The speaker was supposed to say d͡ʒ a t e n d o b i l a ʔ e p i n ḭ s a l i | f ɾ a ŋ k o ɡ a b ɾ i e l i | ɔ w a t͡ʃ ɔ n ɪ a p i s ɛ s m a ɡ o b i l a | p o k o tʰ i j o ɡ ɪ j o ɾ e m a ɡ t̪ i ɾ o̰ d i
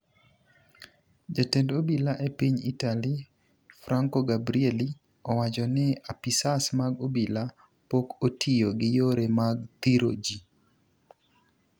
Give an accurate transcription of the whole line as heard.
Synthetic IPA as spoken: d͡ʒ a t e n d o b i l a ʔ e p i ɲ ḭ t a l i | f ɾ a ŋ k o ɡ a b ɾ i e l i | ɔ w a t͡ʃ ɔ n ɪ a p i s a s m a ɡ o b i l a | p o k o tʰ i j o ɡ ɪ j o ɾ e m a ɡ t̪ i ɾ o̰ d͡ʒ i